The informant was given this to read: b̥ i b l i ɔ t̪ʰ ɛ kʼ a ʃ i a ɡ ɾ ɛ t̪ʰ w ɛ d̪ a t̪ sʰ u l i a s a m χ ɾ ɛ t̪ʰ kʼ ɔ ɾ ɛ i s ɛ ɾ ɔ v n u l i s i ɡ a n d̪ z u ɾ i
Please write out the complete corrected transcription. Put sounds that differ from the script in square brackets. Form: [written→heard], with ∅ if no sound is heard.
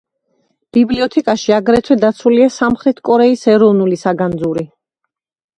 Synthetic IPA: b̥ i b l i ɔ t̪ʰ ɛ kʼ a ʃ i a ɡ ɾ ɛ t̪ʰ w ɛ d̪ a t̪ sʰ u l i a s a m χ ɾ ɛ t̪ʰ kʼ ɔ ɾ ɛ i s ɛ ɾ ɔ v n u l i s [i→a] ɡ a n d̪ z u ɾ i